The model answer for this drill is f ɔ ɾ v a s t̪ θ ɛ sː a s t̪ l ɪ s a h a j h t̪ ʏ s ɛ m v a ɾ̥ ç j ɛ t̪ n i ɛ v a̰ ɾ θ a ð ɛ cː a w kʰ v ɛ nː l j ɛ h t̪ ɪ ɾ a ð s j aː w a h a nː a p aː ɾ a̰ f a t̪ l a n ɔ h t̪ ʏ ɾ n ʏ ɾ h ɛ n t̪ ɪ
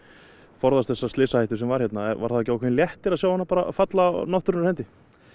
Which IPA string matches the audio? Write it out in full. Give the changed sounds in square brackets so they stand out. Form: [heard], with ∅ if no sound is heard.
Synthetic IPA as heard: f ɔ ɾ [ð] a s t̪ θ ɛ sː a s t̪ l ɪ s a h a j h t̪ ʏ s ɛ m v a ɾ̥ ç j ɛ t̪ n [a] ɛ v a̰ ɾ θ a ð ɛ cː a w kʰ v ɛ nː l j ɛ h t̪ ɪ ɾ a ð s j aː w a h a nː a p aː ɾ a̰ f a t̪ l a n ɔ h t̪ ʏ ɾ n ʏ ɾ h ɛ n t̪ ɪ